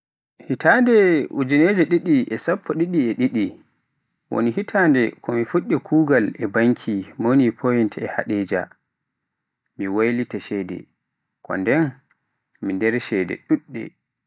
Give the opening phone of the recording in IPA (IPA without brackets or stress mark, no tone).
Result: h